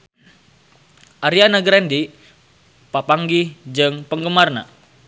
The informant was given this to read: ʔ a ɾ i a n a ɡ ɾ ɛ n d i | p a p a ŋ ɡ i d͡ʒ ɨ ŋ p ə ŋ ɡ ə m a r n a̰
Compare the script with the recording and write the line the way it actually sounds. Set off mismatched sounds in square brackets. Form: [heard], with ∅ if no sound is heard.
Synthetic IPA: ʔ a ɾ i a n a ɡ ɾ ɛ n d i | p a p a ŋ ɡ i d͡ʒ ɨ ŋ p ə ŋ ɡ ə m a r n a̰